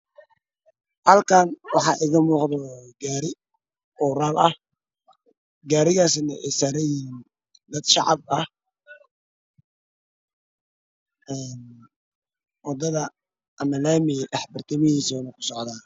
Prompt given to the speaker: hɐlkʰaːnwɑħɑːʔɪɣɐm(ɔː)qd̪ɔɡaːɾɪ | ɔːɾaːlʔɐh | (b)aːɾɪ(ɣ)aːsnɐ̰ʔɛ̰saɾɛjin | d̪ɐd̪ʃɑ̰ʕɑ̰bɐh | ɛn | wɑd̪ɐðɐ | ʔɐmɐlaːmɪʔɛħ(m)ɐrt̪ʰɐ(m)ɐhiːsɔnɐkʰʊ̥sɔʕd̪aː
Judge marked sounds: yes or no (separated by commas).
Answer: no, no, yes, no, yes